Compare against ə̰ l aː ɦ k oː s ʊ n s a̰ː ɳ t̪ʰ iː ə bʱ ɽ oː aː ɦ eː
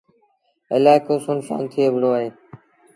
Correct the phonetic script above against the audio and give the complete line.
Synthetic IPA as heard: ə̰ l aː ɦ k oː s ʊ n s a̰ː n t̪ʰ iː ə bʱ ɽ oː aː ɦ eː